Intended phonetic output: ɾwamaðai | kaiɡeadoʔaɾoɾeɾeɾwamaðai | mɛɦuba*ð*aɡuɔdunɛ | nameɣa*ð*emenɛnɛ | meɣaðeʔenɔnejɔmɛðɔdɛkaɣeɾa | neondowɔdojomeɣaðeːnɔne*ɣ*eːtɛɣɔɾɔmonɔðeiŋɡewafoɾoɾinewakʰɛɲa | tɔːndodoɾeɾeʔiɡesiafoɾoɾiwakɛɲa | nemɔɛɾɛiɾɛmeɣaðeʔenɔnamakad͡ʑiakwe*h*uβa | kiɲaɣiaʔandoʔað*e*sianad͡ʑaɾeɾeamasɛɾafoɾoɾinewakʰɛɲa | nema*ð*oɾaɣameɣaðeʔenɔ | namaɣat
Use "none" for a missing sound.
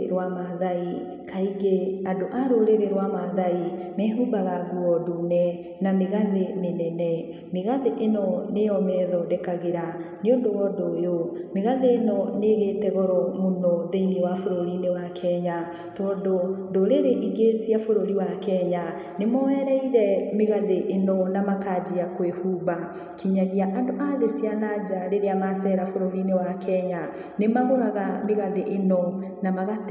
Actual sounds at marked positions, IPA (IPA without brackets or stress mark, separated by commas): ɣ, ð, ɣ, h, e, ɣ